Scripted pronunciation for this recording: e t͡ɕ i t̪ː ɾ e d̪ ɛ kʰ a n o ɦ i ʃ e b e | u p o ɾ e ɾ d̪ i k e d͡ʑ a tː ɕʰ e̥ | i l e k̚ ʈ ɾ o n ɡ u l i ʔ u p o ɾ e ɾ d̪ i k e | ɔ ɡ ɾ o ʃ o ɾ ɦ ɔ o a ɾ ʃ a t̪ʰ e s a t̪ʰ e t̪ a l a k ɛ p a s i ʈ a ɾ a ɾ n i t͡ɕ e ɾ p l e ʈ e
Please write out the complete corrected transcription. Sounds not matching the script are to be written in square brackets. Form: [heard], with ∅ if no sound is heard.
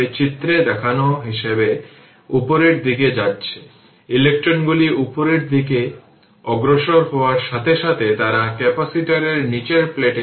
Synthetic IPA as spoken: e t͡ɕ i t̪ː ɾ e d̪ ɛ kʰ a n o ɦ i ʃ e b e | u p o ɾ e ɾ d̪ i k e d͡ʑ a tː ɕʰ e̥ | i l e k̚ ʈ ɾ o n ɡ u l i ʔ u p o ɾ e ɾ d̪ i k e | ɔ ɡ ɾ o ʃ o ɾ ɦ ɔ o a ɾ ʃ a t̪ʰ e [ʃ] a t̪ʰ e t̪ a [ɾ] a k ɛ p a s i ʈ a ɾ [e] ɾ n i t͡ɕ e ɾ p l e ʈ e

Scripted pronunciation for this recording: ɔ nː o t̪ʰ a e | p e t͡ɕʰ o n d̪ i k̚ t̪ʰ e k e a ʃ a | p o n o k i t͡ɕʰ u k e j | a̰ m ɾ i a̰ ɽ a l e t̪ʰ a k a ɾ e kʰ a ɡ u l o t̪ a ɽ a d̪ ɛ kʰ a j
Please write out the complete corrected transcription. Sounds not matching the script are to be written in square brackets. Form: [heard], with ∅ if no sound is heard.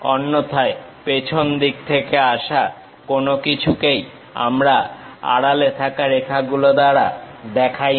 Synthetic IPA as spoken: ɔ nː o t̪ʰ a e | p e t͡ɕʰ o n d̪ i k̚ t̪ʰ e k e a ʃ a | [k] o n o k i t͡ɕʰ u k e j | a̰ m ɾ [a] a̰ ɽ a l e t̪ʰ a k a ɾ e kʰ a ɡ u l o [d̪] a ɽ a d̪ ɛ kʰ a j

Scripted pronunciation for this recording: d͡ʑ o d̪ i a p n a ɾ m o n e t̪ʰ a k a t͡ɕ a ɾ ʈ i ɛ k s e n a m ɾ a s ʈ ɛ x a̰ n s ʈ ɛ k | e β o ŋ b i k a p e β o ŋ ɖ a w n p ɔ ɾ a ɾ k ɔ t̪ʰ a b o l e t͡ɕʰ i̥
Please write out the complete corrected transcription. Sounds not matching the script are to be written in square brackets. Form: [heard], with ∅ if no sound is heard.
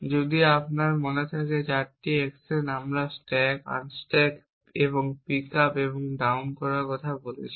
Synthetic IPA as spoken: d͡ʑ o d̪ i a p n a ɾ m o n e t̪ʰ a k [e] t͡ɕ a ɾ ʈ i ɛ k s e n a m ɾ a s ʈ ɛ [k] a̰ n s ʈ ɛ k | e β o ŋ [p] i k a p e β o ŋ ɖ a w n [k] ɔ ɾ a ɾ k ɔ t̪ʰ a b o l e t͡ɕʰ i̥

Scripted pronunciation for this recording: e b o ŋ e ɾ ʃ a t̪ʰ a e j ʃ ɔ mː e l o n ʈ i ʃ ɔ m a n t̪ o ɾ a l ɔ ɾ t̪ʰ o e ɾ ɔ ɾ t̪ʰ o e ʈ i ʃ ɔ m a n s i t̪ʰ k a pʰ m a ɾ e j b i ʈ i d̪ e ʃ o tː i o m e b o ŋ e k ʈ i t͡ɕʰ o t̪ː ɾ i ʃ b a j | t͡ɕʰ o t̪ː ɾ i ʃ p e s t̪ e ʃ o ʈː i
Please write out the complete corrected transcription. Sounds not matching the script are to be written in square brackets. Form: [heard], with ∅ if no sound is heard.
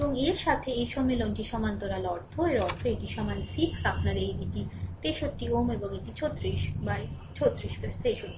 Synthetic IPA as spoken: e b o ŋ e ɾ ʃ a t̪ʰ [e] e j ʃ ɔ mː e l o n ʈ i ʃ ɔ m a n t̪ o ɾ a l ɔ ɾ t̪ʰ o e ɾ ɔ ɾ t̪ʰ o e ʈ i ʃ ɔ m a n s i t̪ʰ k a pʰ [n] a ɾ e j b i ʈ i [t̪] e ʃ o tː i o m e b o ŋ e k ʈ i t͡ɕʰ o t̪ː ɾ i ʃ b a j | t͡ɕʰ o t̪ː ɾ i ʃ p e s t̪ e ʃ o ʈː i

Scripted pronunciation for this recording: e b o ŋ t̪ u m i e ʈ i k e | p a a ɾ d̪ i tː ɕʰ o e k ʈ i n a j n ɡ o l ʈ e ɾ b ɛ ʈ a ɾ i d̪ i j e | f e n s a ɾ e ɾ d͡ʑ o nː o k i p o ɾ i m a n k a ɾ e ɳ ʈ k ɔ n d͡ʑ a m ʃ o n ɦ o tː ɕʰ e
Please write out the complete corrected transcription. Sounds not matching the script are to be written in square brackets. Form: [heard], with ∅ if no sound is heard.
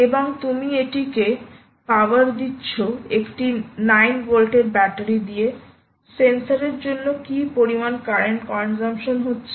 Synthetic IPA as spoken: e b o ŋ t̪ u m i e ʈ i k e | p a a ɾ d̪ i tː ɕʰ o e k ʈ i n a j n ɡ o l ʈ e ɾ b ɛ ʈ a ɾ i d̪ i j e | [s] e n s a ɾ e ɾ d͡ʑ o nː o k i p o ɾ i m a n k a ɾ e ɳ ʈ k ɔ n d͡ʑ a m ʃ o n ɦ o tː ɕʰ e

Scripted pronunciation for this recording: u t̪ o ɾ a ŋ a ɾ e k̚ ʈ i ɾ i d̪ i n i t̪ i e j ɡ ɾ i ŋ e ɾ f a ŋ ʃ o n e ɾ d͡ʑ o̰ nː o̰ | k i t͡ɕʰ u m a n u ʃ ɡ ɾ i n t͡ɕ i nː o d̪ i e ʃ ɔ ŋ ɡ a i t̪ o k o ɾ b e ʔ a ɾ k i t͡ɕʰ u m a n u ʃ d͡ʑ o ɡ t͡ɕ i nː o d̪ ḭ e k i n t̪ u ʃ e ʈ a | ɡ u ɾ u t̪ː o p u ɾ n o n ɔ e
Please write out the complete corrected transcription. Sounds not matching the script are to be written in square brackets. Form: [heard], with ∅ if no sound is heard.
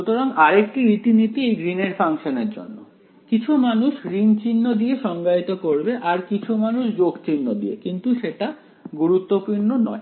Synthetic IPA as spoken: u t̪ o ɾ a ŋ a ɾ e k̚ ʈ i ɾ i [t̪] i n i t̪ i e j ɡ ɾ i [n] e ɾ f a ŋ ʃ o n e ɾ d͡ʑ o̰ nː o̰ | k i t͡ɕʰ u m a n u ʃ ɡ ɾ i n t͡ɕ i nː o d̪ i e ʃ ɔ ŋ ɡ a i t̪ o k o ɾ b e ʔ a ɾ k i t͡ɕʰ u m a n u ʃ d͡ʑ o ɡ t͡ɕ i nː o d̪ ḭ e k i n t̪ u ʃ e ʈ a | ɡ u ɾ u t̪ː o p u ɾ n o n ɔ e

